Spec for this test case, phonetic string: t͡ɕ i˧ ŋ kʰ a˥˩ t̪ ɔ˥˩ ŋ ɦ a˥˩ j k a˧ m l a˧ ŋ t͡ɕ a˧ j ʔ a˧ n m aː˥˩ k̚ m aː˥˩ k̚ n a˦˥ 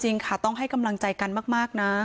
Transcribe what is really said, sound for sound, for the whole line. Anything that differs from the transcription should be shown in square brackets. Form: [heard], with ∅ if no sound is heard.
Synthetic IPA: t͡ɕ i˧ ŋ kʰ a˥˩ t̪ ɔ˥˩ ŋ ɦ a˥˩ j k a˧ m l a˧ ŋ t͡ɕ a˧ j [k] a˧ n m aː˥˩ k̚ m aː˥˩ k̚ n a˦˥